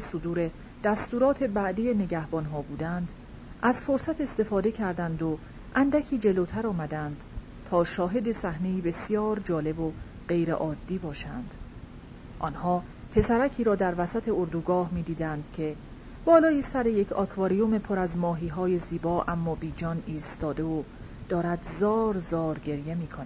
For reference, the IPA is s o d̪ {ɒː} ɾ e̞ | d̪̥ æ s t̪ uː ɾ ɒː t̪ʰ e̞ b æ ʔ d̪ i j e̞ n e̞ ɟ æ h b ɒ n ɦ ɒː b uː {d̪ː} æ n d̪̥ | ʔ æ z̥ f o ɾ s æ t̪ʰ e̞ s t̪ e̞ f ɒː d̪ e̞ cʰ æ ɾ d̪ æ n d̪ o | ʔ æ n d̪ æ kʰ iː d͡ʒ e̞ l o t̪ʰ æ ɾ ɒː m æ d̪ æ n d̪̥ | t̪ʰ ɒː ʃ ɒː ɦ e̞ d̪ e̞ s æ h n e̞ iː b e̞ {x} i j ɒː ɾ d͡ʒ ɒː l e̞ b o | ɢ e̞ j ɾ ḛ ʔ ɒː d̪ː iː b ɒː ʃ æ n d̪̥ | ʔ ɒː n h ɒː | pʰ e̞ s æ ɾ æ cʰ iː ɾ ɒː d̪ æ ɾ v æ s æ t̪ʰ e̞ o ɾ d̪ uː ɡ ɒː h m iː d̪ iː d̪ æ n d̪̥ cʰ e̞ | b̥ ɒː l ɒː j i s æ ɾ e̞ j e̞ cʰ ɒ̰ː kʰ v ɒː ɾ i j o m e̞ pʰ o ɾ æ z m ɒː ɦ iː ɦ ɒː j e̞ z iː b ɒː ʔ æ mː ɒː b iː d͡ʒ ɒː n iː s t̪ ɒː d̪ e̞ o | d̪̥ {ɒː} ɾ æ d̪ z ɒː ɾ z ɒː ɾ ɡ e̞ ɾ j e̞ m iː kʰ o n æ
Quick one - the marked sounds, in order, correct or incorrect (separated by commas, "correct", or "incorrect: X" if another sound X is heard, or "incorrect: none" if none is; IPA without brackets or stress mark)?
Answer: incorrect: uː, incorrect: d̪, incorrect: s, correct